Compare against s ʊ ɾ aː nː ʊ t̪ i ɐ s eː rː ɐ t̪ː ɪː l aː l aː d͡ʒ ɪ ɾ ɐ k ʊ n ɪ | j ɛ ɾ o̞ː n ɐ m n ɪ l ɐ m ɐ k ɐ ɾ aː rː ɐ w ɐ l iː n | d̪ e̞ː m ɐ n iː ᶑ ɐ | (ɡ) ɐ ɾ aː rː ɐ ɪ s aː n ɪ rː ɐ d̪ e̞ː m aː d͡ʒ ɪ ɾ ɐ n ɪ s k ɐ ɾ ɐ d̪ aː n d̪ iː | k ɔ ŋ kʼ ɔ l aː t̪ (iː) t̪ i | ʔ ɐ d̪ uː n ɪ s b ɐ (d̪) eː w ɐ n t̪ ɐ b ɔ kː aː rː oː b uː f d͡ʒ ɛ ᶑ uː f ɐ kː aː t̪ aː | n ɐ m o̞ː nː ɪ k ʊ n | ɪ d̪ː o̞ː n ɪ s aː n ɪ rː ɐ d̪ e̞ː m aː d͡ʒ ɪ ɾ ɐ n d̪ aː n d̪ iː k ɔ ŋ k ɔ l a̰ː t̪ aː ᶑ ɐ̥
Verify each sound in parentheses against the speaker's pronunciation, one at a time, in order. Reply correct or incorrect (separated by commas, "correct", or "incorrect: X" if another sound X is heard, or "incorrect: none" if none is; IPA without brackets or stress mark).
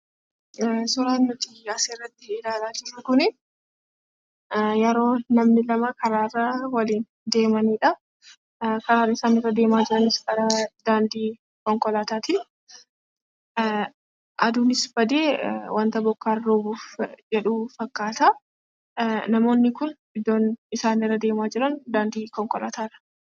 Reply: incorrect: k, incorrect: aː, correct